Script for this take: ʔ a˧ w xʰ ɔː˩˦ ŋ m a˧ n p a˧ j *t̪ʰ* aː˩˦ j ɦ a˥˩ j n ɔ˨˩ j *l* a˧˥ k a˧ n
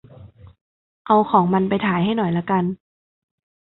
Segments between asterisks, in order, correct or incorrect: correct, correct

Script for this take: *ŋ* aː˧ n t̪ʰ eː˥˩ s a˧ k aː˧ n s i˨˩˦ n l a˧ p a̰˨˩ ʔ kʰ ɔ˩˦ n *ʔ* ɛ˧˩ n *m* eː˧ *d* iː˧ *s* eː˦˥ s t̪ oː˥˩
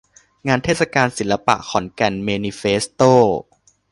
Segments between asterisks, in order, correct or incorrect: correct, incorrect, correct, incorrect, incorrect

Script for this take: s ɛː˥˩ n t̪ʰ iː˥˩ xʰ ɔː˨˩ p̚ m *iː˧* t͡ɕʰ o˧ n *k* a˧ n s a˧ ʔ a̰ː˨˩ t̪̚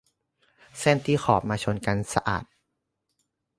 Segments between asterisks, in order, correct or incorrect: incorrect, correct

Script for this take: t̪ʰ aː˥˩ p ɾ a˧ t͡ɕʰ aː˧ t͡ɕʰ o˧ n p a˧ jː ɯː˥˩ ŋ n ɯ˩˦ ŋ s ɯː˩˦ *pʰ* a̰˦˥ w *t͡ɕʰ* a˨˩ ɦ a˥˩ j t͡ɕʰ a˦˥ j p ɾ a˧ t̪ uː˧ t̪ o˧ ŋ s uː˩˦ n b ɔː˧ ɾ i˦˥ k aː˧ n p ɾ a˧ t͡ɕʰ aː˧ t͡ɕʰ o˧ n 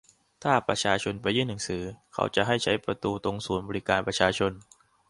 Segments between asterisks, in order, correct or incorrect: incorrect, incorrect

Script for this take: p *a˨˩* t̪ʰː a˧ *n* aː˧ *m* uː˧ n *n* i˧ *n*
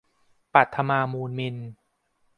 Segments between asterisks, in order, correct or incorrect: correct, incorrect, correct, incorrect, correct

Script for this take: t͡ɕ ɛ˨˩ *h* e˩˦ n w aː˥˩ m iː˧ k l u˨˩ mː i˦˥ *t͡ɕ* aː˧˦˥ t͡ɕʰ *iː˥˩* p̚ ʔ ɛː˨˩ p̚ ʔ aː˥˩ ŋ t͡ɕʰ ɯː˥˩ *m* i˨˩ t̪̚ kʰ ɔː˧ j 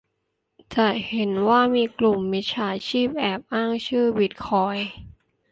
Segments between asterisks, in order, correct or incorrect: correct, incorrect, correct, incorrect

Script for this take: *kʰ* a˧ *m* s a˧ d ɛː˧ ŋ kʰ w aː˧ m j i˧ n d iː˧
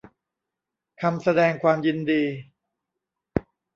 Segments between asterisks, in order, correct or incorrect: correct, correct

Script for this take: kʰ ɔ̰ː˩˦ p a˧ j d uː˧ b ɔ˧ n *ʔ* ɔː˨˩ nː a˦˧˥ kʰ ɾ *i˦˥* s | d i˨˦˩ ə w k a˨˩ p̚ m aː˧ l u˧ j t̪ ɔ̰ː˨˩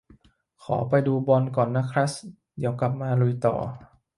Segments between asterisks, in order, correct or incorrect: incorrect, incorrect

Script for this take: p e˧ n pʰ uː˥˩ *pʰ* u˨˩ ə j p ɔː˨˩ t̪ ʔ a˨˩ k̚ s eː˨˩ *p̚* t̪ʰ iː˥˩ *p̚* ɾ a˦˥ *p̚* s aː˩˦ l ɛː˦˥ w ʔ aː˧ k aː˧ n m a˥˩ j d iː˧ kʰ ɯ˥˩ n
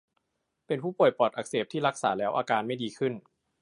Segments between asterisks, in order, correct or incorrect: incorrect, correct, incorrect, incorrect

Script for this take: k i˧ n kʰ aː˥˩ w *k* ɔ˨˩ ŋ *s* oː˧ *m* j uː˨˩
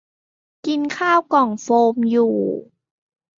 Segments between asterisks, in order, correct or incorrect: correct, incorrect, correct

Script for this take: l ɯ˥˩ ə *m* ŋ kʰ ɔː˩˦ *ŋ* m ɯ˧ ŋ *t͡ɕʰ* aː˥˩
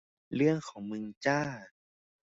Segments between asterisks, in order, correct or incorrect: incorrect, correct, incorrect

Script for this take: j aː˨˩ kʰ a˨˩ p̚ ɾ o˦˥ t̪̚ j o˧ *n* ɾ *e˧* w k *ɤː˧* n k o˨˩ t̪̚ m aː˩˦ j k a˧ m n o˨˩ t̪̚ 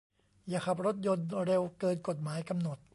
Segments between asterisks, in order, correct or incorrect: correct, correct, correct

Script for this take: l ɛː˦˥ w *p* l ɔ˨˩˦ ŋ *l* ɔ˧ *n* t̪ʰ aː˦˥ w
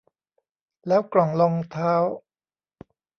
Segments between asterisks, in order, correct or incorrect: incorrect, correct, incorrect

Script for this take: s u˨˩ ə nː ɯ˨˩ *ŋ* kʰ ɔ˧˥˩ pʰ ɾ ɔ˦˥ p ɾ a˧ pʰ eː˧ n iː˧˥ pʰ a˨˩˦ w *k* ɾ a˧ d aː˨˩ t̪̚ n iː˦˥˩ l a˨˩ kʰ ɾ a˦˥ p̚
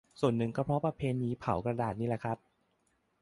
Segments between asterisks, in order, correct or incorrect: correct, correct

